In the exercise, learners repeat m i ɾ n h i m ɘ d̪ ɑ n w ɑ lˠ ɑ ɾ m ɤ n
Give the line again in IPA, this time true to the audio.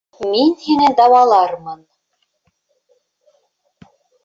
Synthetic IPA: m i n h i n ɘ d̪ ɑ w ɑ lˠ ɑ ɾ m ɤ n